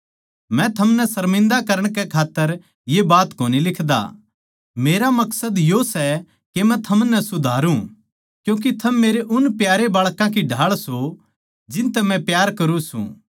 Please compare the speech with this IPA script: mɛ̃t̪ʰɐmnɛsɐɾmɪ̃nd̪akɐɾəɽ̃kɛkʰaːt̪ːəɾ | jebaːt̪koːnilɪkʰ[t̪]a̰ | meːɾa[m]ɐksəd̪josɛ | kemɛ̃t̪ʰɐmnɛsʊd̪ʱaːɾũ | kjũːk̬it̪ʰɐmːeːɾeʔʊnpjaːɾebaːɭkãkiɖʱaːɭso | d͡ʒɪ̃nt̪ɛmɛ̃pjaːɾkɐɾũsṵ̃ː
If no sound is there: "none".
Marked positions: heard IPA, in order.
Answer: d̪, m

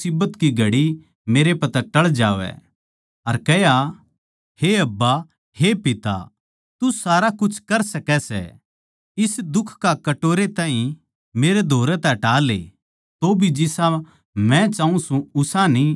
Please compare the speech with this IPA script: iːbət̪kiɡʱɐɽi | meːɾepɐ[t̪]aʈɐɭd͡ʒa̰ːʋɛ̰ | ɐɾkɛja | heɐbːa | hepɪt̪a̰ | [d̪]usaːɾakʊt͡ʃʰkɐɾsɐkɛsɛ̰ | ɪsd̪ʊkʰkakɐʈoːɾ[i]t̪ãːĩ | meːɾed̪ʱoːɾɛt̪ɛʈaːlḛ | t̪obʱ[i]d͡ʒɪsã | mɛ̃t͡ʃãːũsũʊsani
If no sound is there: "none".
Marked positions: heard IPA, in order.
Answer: t̪, t̪, e, i

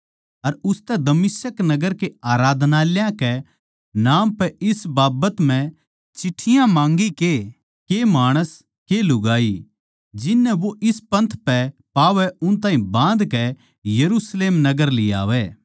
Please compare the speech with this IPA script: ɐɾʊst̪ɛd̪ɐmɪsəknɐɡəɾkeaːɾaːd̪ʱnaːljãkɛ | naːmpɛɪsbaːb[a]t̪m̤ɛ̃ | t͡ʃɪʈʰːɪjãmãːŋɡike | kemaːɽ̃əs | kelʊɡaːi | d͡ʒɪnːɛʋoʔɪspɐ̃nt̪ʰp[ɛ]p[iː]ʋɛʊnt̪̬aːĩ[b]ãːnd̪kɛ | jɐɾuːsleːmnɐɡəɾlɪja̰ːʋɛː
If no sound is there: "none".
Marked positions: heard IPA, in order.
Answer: ə, ɛ, aː, b

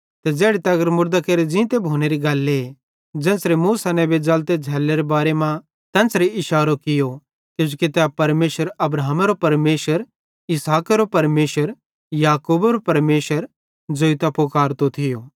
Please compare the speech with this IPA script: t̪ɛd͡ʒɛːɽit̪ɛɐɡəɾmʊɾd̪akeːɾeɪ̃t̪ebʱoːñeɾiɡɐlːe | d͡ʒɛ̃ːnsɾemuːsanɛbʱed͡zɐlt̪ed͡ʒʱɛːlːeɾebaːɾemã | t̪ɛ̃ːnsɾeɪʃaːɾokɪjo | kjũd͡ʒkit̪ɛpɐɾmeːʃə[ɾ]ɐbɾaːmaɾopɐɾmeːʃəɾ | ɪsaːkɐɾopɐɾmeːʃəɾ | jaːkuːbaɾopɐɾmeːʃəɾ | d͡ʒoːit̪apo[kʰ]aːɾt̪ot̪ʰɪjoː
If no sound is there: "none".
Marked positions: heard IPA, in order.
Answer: ɾ, k

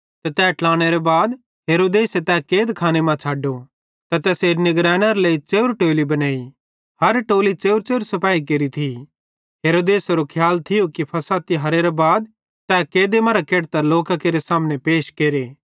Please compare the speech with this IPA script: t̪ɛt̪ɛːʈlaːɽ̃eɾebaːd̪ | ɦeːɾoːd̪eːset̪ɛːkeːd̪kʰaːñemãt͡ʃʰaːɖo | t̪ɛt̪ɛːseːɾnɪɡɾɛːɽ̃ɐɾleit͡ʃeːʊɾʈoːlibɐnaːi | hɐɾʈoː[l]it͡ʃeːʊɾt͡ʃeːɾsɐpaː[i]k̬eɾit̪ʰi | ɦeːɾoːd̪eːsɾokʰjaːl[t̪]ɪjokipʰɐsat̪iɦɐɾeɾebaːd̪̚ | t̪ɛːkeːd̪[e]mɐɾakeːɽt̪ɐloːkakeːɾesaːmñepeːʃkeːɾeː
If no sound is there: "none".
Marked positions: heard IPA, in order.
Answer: l, i, t̪ʰ, e

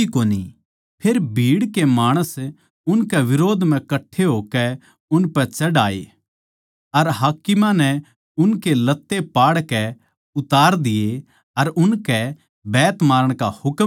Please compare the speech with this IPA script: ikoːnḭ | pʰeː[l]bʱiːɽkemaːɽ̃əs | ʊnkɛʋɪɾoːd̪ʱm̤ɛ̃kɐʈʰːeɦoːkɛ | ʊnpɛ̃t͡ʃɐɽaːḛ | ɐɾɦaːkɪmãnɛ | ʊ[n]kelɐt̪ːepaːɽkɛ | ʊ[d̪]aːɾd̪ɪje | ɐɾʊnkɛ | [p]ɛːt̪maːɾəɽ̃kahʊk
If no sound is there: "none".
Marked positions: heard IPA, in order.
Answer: ɾ, n, t̪, b

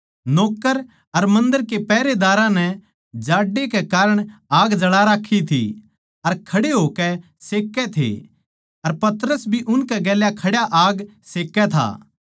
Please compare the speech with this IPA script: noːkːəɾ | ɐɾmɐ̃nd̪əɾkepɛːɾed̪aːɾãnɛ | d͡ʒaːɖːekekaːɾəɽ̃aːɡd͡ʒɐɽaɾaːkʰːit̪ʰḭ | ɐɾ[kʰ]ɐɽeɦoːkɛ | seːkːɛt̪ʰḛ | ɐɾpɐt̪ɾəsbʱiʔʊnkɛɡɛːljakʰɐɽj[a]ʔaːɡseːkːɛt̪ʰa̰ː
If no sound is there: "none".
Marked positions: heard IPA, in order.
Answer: kʰ, a

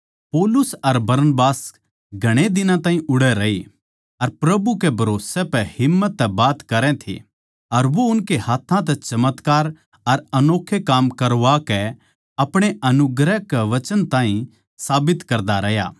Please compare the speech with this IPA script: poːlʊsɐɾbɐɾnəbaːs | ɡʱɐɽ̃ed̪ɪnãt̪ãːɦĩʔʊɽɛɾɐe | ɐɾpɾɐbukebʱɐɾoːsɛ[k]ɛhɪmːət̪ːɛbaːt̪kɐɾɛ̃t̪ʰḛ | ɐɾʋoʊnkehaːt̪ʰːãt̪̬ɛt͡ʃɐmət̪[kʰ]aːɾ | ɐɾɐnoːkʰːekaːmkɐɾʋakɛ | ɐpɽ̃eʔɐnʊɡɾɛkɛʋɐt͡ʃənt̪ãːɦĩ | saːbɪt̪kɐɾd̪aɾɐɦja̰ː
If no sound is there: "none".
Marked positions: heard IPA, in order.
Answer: p, k

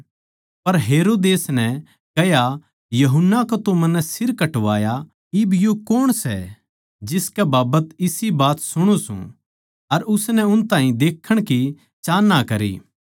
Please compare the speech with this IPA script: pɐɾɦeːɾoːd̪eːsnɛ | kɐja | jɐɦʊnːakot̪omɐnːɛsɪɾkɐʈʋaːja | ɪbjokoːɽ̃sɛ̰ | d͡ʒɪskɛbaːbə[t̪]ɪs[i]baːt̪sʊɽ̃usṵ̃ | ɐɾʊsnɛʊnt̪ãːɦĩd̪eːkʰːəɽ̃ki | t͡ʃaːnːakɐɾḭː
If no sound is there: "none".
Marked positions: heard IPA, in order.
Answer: t̪, i

